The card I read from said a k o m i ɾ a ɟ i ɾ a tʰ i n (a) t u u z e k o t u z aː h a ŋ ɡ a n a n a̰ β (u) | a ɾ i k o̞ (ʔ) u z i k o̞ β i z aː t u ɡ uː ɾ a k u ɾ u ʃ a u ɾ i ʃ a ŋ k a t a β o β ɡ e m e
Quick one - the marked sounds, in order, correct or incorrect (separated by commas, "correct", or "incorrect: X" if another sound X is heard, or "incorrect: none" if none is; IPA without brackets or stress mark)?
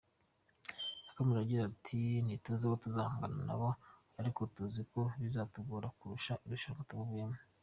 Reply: incorrect: i, incorrect: o, incorrect: t